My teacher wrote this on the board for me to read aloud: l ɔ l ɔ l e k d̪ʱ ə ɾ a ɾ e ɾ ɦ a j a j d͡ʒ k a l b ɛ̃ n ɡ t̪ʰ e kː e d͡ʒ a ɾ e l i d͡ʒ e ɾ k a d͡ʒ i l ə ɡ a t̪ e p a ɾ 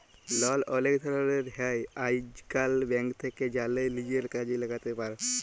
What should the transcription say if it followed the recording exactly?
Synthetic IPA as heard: l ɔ l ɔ l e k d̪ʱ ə ɾ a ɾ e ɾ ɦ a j a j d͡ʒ k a l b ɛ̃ ŋ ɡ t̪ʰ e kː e d͡ʒ a l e l i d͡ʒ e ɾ k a d͡ʒ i l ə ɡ a t̪ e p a ɾ